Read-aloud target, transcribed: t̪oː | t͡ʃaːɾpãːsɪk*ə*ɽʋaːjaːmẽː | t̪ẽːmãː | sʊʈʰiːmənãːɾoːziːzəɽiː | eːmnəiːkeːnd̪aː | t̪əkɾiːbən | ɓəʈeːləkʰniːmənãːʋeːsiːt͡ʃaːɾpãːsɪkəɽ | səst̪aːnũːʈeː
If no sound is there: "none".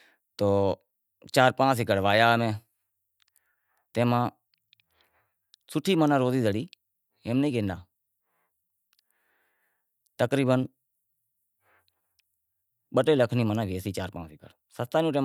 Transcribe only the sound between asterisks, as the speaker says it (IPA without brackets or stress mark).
ə